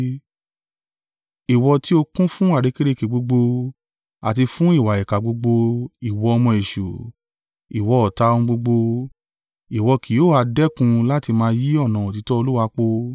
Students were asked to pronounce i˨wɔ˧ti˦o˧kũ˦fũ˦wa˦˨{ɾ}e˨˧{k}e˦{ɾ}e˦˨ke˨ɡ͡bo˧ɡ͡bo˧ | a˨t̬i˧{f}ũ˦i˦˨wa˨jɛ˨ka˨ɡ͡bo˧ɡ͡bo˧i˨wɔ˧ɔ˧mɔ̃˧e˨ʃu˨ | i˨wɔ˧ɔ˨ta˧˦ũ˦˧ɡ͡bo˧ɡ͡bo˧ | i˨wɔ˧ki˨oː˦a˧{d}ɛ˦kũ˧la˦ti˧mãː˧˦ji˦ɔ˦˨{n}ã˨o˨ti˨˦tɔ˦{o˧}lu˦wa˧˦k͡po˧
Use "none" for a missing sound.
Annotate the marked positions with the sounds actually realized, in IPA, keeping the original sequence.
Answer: ɾ, k, ɾ, f, d, n, o˧

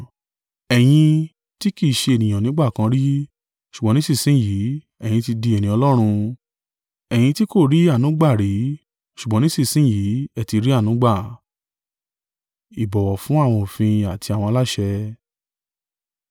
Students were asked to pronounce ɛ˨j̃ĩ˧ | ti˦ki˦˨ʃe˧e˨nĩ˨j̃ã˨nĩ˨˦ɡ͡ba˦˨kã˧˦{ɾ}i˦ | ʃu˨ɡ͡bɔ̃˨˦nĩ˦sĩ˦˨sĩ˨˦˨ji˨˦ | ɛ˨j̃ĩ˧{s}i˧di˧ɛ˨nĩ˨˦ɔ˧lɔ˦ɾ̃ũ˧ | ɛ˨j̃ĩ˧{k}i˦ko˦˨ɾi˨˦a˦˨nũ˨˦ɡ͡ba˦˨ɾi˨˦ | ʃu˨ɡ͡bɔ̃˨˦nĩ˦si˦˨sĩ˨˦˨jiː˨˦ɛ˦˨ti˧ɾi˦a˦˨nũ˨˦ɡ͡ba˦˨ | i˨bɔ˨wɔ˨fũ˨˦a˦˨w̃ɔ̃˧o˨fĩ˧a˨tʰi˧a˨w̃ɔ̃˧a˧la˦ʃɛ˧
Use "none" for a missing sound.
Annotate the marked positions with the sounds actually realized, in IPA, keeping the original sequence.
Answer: ɾ, t, t

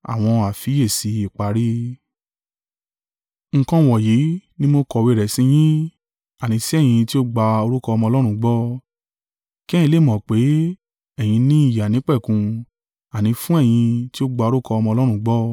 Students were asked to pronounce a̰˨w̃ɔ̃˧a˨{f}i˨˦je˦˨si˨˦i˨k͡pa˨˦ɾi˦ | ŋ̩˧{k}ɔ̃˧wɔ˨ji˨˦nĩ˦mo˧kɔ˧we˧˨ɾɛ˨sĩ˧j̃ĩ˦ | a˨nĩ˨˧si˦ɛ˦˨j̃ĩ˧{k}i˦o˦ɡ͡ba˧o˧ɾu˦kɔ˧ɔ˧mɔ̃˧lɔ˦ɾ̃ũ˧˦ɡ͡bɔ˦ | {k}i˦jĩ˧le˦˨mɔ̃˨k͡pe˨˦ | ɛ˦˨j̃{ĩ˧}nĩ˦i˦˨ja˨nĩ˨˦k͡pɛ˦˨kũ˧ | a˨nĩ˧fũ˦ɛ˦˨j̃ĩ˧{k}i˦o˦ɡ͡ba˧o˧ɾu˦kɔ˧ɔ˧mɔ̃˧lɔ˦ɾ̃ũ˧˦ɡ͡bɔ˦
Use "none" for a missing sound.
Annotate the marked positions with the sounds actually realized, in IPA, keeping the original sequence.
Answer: f, k, t, k, ĩ˧, t

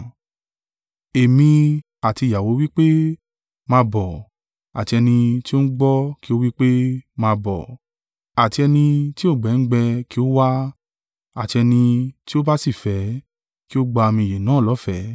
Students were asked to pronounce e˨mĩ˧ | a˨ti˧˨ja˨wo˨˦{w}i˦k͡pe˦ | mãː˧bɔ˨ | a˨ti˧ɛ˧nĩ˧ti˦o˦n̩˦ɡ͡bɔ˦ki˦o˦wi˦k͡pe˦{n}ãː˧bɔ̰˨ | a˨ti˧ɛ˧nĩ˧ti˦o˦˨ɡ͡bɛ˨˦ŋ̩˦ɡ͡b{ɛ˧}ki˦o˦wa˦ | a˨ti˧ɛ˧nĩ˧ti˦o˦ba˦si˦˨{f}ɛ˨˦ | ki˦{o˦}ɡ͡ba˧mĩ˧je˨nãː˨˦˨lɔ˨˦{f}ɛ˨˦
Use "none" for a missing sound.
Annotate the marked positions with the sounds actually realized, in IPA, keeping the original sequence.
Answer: w, m, ɛ˧, f, o˦, f

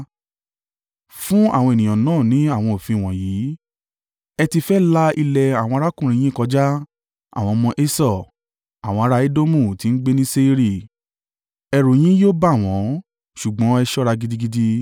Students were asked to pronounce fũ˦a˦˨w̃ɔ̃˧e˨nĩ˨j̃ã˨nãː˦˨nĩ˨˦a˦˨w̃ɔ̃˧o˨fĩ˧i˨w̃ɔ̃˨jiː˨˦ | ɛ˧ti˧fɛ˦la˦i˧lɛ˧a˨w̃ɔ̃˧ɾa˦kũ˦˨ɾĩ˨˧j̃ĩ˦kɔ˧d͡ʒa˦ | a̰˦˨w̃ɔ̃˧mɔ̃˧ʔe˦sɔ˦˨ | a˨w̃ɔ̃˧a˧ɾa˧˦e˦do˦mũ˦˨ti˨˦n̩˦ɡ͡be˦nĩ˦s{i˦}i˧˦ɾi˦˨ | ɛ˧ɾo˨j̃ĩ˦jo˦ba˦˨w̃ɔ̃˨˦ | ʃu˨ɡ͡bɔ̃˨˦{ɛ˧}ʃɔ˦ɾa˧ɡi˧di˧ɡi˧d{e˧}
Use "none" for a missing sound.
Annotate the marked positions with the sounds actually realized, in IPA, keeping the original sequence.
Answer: e˦, ɛ˧, i˧

